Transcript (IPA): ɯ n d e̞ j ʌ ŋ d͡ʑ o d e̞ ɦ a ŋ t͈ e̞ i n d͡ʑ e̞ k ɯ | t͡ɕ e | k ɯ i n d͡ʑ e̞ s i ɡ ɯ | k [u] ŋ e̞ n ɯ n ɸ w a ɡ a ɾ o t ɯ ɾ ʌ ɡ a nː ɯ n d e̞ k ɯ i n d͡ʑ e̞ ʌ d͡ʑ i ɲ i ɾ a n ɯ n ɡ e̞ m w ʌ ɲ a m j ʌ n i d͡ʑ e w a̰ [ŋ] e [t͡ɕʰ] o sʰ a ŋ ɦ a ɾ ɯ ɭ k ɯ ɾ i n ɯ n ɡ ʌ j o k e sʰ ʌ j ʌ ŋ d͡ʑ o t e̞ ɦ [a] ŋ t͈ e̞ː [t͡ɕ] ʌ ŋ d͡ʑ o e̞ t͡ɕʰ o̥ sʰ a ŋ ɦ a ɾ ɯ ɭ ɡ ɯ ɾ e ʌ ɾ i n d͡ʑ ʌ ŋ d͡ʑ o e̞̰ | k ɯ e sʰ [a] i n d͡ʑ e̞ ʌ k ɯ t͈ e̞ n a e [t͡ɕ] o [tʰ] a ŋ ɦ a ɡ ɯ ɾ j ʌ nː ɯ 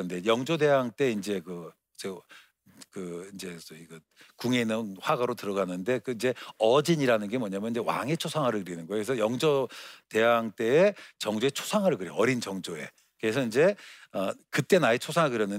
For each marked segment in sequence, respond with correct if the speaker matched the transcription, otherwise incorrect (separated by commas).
correct, correct, correct, correct, correct, incorrect, incorrect, incorrect